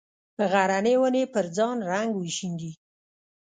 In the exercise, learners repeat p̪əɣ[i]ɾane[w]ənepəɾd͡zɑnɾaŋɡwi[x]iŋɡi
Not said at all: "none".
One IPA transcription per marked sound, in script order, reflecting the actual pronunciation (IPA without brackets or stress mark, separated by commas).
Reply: a, w, ʃ